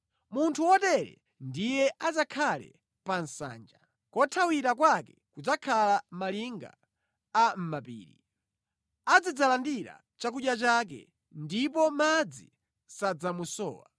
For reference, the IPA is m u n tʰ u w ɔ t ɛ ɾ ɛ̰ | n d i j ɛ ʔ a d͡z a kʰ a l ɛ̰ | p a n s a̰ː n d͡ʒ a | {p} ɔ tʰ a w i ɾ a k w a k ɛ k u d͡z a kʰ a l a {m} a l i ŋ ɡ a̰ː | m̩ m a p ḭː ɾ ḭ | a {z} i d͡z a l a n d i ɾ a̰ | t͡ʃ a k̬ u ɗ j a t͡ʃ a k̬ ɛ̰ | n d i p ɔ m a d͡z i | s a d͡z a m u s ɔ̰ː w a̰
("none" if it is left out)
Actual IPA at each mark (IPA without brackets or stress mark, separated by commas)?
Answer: k, m, d͡z